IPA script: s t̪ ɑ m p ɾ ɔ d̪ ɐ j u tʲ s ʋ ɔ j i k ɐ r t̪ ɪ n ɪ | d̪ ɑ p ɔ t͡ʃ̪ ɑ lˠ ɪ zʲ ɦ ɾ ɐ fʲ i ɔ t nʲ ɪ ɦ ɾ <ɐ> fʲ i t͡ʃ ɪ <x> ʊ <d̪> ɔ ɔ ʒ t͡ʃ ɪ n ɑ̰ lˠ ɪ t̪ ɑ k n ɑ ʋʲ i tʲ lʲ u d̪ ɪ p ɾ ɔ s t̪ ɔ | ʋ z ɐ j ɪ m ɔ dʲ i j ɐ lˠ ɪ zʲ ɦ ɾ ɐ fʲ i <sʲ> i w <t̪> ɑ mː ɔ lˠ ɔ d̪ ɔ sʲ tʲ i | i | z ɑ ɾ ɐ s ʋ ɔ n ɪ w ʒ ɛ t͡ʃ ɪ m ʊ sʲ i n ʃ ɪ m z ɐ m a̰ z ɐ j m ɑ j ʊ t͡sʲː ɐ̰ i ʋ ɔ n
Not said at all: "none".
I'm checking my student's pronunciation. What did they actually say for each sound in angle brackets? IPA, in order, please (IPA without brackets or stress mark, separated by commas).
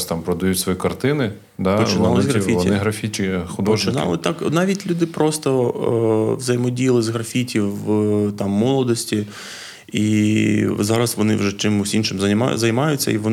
ɐ, x, d̪, tʲ, t̪